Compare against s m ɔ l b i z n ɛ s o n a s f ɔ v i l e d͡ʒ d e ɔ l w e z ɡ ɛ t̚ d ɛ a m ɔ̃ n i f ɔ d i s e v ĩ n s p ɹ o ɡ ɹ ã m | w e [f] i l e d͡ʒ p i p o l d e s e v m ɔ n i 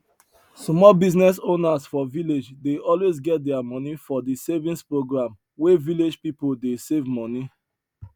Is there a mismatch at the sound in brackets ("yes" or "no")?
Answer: yes